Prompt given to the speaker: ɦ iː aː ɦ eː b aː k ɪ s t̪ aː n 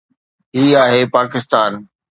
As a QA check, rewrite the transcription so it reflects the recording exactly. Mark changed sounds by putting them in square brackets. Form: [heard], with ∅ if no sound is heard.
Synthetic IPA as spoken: ɦ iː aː ɦ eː [p] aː k ɪ s t̪ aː n